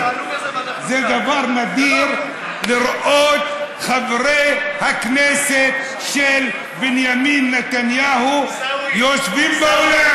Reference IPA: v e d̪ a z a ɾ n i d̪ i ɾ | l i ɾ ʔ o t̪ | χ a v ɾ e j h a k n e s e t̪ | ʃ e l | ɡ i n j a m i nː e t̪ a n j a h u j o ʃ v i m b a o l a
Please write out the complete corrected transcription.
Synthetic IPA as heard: z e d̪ a v a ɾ n a d̪ i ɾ | l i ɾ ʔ o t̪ | χ a v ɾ e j h a k n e s e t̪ | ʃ e l | b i n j a m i nː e t̪ a n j a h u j o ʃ v i m b a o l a